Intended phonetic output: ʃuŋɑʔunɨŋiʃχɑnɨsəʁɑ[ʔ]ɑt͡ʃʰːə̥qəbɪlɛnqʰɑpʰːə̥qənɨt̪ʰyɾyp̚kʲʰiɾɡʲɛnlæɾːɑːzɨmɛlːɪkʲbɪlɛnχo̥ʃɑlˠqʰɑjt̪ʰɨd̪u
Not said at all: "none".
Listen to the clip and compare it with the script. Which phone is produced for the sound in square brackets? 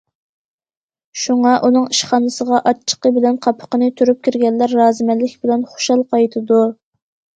ʔ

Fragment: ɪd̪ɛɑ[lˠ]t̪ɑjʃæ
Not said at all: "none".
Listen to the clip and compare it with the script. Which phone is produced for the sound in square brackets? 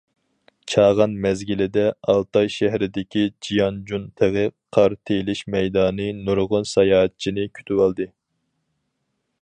lˠ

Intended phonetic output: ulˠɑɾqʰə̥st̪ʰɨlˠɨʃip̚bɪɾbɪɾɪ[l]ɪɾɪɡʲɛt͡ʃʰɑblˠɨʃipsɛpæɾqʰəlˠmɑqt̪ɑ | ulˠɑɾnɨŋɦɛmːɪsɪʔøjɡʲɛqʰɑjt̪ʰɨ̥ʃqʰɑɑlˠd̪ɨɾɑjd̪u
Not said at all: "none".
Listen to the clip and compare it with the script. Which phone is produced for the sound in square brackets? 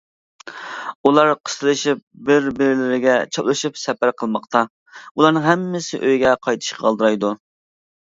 l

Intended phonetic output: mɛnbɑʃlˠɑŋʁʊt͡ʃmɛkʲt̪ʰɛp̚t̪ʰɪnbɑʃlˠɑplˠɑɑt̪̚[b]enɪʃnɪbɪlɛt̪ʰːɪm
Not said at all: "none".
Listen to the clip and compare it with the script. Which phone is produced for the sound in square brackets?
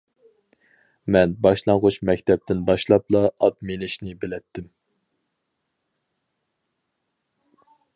m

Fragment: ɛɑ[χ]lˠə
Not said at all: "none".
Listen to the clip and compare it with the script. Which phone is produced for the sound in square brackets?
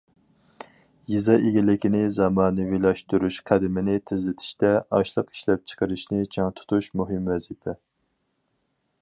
ʃ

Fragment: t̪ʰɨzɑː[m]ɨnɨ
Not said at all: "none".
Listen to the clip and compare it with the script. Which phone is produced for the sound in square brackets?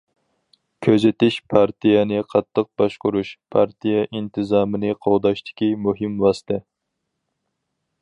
m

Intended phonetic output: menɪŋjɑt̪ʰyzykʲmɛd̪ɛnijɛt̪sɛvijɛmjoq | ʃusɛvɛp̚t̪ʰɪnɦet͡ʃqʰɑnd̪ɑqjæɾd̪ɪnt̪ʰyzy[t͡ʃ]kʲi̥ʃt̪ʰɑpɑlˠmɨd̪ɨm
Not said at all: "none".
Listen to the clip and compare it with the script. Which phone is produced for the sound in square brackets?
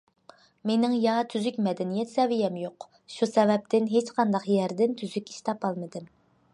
none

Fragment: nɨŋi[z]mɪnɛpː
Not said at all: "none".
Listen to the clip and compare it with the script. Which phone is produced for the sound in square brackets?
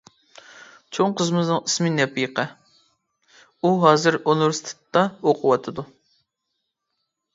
s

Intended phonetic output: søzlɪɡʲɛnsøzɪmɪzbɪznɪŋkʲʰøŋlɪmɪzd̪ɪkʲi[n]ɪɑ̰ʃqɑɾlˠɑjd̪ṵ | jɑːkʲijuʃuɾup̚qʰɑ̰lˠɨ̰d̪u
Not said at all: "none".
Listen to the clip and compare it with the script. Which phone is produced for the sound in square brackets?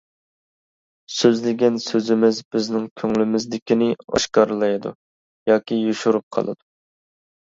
n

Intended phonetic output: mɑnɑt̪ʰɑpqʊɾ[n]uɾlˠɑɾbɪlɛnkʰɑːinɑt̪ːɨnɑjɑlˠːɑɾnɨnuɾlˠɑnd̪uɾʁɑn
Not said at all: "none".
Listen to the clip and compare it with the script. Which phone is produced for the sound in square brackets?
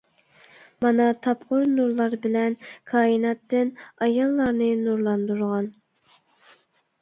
n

